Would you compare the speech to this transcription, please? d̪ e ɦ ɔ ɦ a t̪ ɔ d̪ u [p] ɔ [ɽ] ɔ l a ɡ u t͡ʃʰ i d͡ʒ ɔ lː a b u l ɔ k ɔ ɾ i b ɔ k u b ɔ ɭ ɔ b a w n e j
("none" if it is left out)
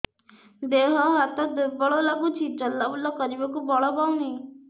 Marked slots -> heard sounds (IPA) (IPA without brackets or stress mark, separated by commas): b, ɭ